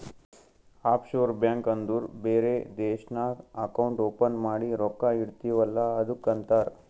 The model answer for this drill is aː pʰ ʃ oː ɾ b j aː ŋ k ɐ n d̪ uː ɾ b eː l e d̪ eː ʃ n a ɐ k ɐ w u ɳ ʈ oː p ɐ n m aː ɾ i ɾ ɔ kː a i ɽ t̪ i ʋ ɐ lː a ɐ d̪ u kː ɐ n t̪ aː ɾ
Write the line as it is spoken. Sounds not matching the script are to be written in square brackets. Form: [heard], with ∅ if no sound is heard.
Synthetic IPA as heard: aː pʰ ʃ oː ɾ b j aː ŋ k ɐ n d̪ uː ɾ b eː [ɾ] e d̪ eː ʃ n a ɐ k ɐ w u ɳ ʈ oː p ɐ n m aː [ɽ] i ɾ ɔ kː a i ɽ t̪ i ʋ ɐ lː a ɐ d̪ u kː ɐ n t̪ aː ɾ

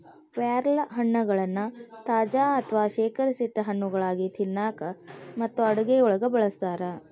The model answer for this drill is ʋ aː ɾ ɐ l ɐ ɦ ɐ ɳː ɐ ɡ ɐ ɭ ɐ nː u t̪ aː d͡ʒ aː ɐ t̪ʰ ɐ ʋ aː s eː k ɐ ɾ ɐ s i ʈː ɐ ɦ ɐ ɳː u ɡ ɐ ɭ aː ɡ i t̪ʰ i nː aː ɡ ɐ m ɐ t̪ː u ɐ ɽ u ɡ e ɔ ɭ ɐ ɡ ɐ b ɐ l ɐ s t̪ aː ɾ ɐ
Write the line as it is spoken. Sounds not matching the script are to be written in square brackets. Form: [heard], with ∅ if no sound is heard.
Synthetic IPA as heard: ʋ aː ɾ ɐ l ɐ ɦ ɐ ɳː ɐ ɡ ɐ ɭ ɐ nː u t̪ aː d͡ʒ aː ɐ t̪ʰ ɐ ʋ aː [ʃ] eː k ɐ ɾ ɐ s i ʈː ɐ ɦ ɐ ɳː u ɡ ɐ ɭ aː ɡ i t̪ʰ i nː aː [k] ɐ m ɐ t̪ː u ɐ ɽ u ɡ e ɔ ɭ ɐ ɡ ɐ b ɐ [ɭ] ɐ s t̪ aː ɾ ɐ

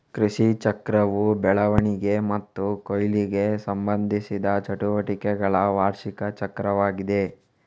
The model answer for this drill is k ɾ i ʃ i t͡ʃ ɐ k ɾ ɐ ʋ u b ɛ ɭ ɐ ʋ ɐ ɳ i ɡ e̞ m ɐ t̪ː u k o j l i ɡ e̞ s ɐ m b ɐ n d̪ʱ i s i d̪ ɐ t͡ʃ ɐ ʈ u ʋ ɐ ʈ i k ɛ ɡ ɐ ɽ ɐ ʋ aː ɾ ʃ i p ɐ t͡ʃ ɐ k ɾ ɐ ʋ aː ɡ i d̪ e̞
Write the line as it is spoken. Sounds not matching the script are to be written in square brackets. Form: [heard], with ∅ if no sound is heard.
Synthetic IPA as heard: k ɾ i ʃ i t͡ʃ ɐ k ɾ ɐ ʋ u b ɛ ɭ ɐ ʋ ɐ ɳ i ɡ e̞ m ɐ t̪ː u k o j l i ɡ e̞ s ɐ m b ɐ n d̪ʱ i s i d̪ ɐ t͡ʃ ɐ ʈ u ʋ ɐ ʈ i k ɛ ɡ ɐ [ɭ] ɐ ʋ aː ɾ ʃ i [k] ɐ t͡ʃ ɐ k ɾ ɐ ʋ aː ɡ i d̪ e̞

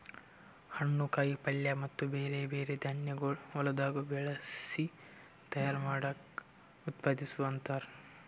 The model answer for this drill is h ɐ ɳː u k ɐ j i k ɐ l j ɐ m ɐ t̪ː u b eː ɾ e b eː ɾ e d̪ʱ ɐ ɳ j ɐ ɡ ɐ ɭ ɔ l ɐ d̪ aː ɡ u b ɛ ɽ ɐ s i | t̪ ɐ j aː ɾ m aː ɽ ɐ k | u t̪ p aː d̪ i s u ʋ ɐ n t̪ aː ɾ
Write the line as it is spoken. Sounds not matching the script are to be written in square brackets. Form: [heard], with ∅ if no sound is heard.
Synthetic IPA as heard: h ɐ ɳː u k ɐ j i [p] ɐ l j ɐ m ɐ t̪ː u b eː ɾ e b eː ɾ e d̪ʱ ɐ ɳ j ɐ ɡ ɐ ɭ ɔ l ɐ d̪ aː ɡ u b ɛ [ɭ] ɐ s i | t̪ ɐ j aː ɾ m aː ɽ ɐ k | u t̪ p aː d̪ i s u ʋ ɐ n t̪ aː ɾ

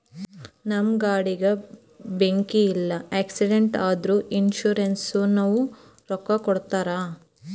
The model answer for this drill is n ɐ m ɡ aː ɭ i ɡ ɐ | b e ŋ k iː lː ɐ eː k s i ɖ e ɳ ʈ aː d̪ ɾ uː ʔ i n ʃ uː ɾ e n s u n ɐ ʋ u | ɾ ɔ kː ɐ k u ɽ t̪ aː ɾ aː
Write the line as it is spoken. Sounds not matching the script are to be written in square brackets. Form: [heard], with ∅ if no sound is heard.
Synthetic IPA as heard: n ɐ m ɡ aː [ɽ] i ɡ ɐ | b e ŋ k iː lː ɐ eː k s i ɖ e ɳ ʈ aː d̪ ɾ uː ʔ i n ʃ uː ɾ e n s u n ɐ ʋ u | ɾ ɔ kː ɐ k [ɔ] ɽ t̪ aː ɾ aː

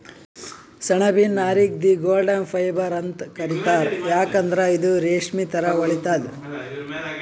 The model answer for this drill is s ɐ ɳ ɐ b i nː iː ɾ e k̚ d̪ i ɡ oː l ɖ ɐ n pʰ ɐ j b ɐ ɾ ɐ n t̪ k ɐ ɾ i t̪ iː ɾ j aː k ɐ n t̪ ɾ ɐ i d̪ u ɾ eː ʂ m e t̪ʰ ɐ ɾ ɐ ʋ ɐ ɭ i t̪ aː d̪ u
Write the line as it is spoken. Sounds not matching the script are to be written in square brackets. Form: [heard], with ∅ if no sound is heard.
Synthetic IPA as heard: s ɐ ɳ ɐ b i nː [aː] ɾ [i] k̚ d̪ i ɡ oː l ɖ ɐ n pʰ ɐ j b ɐ ɾ ɐ n t̪ k ɐ ɾ i t̪ [aː] ɾ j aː k ɐ n [d̪] ɾ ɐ i d̪ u ɾ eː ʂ m [i] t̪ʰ ɐ ɾ ɐ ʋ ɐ ɭ i t̪ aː d̪ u

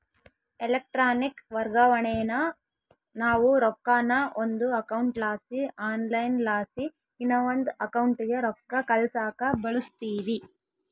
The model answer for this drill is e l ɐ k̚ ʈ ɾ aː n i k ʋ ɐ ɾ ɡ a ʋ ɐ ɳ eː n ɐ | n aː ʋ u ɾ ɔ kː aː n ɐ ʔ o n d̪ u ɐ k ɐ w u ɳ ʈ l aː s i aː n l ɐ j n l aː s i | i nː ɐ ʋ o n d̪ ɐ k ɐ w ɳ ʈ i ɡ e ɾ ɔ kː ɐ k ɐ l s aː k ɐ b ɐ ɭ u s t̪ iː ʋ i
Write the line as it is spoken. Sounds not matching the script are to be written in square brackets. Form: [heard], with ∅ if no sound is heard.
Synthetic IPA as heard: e l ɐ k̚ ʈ ɾ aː n i k ʋ ɐ ɾ ɡ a ʋ ɐ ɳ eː n ɐ | n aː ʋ u ɾ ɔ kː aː n ɐ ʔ o n d̪ u ɐ k ɐ w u ɳ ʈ l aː s i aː n l ɐ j n l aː s i | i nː ɐ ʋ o n d̪ ɐ k ɐ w ɳ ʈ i ɡ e ɾ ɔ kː ɐ k ɐ l s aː k ɐ b ɐ ɭ u s t̪ iː ʋ i

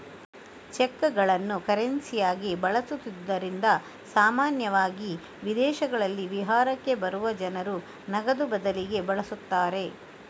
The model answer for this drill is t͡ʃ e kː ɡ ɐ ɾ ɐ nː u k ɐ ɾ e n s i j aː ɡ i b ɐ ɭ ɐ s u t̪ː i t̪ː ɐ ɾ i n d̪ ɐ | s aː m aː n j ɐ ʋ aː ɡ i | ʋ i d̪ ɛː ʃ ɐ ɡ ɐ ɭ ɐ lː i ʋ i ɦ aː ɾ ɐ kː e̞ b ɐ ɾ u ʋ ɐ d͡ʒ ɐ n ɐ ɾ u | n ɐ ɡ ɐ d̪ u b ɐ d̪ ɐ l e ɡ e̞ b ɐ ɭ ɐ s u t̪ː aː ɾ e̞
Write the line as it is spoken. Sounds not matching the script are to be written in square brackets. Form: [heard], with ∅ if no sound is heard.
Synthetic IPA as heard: t͡ʃ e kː ɡ ɐ [ɭ] ɐ nː u k ɐ ɾ e n s i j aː ɡ i b ɐ ɭ ɐ s u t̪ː i [d̪ː] ɐ ɾ i n d̪ ɐ | s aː m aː n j ɐ ʋ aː ɡ i | ʋ i d̪ ɛː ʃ ɐ ɡ ɐ ɭ ɐ lː i ʋ i ɦ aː ɾ ɐ kː e̞ b ɐ ɾ u ʋ ɐ d͡ʒ ɐ n ɐ ɾ u | n ɐ ɡ ɐ d̪ u b ɐ d̪ ɐ l [i] ɡ e̞ b ɐ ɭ ɐ s u t̪ː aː ɾ e̞

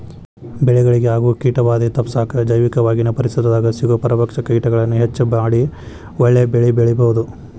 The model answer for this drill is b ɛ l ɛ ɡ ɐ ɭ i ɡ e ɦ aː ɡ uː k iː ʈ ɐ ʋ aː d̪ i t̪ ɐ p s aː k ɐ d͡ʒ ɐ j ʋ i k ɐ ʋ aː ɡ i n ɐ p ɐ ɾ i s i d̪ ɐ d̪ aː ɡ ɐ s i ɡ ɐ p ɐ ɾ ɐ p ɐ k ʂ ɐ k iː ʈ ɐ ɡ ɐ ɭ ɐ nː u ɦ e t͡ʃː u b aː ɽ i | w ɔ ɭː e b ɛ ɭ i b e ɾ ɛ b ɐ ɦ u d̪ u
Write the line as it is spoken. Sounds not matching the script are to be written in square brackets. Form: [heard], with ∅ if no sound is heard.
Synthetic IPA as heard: b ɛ [ɭ] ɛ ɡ ɐ ɭ i ɡ e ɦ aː ɡ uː k iː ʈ ɐ ʋ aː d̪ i t̪ ɐ p s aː k ɐ d͡ʒ ɐ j ʋ i k ɐ ʋ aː ɡ i n ɐ p ɐ ɾ i s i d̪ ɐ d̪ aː ɡ ɐ s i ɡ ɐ p ɐ ɾ ɐ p ɐ k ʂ ɐ k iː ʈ ɐ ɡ ɐ ɭ ɐ nː u ɦ e t͡ʃː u b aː ɽ i | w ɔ ɭː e b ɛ ɭ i b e [ɭ] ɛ b ɐ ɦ u d̪ u

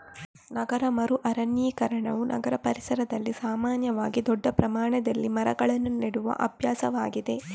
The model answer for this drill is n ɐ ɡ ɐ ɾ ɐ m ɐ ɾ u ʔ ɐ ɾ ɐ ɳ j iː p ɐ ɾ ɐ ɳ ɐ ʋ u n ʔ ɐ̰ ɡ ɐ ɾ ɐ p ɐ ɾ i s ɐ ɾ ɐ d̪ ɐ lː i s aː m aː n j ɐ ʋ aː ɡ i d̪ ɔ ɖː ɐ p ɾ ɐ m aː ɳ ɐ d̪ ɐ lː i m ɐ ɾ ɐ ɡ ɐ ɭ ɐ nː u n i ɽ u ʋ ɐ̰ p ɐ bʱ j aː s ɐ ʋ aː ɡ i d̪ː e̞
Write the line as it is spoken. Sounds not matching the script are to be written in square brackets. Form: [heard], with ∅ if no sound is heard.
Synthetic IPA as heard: n ɐ ɡ ɐ ɾ ɐ m ɐ ɾ u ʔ ɐ ɾ ɐ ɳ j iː [k] ɐ ɾ ɐ ɳ ɐ ʋ u n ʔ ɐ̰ ɡ ɐ ɾ ɐ p ɐ ɾ i s ɐ ɾ ɐ d̪ ɐ lː i s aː m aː n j ɐ ʋ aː ɡ i d̪ ɔ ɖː ɐ p ɾ ɐ m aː ɳ ɐ d̪ ɐ lː i m ɐ ɾ ɐ ɡ ɐ ɭ ɐ nː u n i ɽ u ʋ ɐ̰ [ʔ] ɐ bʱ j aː s ɐ ʋ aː ɡ i [d̪] e̞

